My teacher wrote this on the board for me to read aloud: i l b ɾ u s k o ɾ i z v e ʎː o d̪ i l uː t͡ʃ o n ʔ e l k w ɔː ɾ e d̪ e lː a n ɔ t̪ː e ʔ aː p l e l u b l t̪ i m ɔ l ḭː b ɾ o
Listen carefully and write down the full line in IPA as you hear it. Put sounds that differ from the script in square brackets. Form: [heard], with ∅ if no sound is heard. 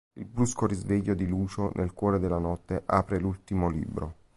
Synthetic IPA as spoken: i l b ɾ u s k o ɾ i z v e ʎː o d̪ i l uː t͡ʃ o n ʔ e l k w ɔː ɾ e d̪ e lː a n ɔ t̪ː e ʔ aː p [ɾ] e l u [∅] l t̪ i m [o] l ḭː b ɾ o